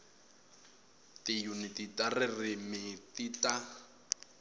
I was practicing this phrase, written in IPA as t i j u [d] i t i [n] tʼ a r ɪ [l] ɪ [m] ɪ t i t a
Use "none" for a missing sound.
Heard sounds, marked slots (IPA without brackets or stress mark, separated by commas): n, none, r, m